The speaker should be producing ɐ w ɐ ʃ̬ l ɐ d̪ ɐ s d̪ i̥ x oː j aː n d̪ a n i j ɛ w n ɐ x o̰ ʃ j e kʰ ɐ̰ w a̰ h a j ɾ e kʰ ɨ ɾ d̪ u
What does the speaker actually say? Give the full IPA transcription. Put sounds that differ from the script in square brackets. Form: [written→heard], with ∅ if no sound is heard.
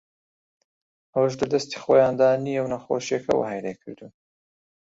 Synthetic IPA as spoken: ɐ w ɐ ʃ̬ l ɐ d̪ ɐ s [d̪→t̪] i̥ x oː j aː n d̪ a n i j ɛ w n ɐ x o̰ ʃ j e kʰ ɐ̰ w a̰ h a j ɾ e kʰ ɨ ɾ d̪ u